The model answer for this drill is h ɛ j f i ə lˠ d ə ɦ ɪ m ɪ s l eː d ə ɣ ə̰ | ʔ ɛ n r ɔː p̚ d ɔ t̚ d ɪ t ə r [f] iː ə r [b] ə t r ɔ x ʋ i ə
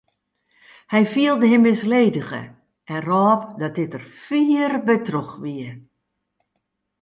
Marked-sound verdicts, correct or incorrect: correct, correct

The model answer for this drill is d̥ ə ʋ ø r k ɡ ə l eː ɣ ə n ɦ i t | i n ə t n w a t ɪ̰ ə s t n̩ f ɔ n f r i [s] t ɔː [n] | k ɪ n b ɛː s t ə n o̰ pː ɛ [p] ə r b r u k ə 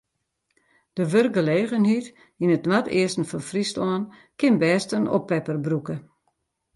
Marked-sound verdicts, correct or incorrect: correct, correct, correct

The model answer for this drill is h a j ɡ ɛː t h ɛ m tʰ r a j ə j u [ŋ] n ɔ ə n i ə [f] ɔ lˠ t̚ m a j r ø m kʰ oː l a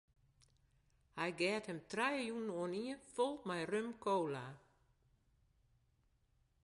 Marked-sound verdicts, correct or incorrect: incorrect: n, correct

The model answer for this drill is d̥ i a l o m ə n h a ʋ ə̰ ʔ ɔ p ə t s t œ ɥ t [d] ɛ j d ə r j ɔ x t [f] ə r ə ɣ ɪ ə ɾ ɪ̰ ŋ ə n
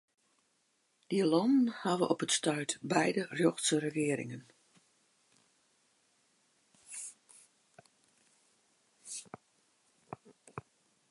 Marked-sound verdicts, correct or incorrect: incorrect: b, incorrect: s

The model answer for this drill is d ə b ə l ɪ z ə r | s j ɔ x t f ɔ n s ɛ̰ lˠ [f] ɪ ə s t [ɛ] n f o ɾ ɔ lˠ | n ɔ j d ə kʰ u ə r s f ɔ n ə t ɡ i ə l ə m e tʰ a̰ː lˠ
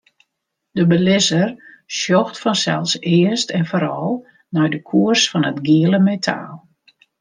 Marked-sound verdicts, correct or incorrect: incorrect: s, correct

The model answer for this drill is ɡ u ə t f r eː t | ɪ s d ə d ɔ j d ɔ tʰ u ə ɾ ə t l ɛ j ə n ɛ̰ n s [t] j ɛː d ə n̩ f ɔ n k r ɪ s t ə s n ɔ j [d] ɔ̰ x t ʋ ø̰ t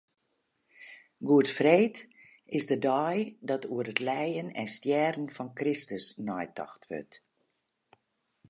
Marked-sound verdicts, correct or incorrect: correct, incorrect: t

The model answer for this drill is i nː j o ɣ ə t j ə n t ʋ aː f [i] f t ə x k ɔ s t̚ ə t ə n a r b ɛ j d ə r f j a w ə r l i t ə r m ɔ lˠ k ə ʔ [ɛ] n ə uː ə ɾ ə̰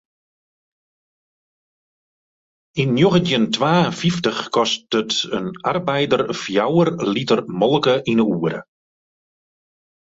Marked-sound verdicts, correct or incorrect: correct, incorrect: i

